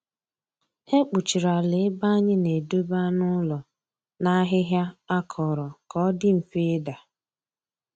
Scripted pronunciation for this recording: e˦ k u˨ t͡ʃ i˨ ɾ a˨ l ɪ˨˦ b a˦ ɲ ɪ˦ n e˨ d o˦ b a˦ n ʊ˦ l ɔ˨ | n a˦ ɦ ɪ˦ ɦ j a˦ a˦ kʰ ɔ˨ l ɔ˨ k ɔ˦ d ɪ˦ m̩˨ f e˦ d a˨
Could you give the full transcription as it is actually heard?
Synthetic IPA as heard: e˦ k͡p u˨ t͡ʃ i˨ ɾ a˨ l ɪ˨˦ b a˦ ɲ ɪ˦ n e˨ d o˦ b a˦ n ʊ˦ l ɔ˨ | n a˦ ɦ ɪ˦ ɦ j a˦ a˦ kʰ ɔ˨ ɾ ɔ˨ k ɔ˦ d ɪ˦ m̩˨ f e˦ d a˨